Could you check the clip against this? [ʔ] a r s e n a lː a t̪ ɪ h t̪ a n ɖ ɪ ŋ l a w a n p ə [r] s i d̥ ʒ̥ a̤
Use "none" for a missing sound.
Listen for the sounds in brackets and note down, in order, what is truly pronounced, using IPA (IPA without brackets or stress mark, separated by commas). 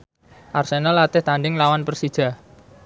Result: ʔ, r